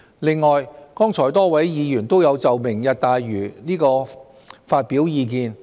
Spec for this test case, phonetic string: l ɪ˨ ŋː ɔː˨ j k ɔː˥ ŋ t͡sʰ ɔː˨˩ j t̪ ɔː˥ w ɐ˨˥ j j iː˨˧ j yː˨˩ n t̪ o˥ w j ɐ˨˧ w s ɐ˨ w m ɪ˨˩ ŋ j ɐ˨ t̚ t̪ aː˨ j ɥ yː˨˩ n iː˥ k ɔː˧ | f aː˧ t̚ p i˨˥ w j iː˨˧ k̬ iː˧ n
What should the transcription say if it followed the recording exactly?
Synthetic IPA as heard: l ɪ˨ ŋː ɔː˨ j k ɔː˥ ŋ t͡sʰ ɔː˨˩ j t̪ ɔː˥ w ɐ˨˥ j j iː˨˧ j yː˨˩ n t̪ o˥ w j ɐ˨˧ w t͡s ɐ˨ w m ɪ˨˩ ŋ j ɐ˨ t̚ t̪ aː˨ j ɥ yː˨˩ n iː˥ k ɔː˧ | f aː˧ t̚ p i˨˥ w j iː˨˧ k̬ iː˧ n